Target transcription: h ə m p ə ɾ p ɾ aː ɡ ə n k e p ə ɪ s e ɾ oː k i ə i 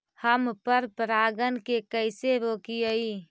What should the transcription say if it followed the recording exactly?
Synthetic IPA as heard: h ə m p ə ɾ p ɾ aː ɡ ə n k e k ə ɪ s e ɾ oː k i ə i